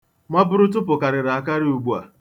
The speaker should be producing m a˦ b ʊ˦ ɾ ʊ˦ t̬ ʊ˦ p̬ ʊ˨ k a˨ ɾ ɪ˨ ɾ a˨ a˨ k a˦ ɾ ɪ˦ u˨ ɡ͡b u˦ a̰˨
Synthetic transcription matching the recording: m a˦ b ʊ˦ ɾ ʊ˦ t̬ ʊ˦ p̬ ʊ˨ k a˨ ɾ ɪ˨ ɾ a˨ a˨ k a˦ ɾ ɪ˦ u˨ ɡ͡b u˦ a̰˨